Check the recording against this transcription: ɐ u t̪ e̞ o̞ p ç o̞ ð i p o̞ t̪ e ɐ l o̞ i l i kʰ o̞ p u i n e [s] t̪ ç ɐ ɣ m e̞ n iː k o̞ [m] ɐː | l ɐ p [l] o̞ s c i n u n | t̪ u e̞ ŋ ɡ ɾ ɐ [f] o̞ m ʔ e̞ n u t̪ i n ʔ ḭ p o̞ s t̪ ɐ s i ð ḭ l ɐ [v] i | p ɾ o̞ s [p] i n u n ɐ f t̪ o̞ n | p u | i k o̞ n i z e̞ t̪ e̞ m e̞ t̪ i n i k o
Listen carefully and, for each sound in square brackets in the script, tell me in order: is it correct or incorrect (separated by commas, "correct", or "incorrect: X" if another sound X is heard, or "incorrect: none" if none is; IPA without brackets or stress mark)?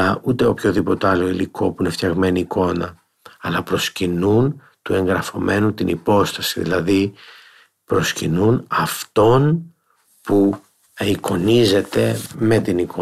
incorrect: f, incorrect: n, incorrect: ɾ, correct, incorrect: ð, incorrect: c